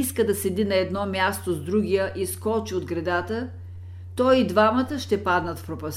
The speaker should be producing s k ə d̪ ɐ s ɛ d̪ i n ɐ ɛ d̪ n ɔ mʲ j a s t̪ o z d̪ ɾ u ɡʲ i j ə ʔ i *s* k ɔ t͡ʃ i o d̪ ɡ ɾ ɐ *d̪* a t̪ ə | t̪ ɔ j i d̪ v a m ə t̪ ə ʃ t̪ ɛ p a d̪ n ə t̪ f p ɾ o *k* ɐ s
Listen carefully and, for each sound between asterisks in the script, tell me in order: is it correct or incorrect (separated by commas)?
correct, correct, incorrect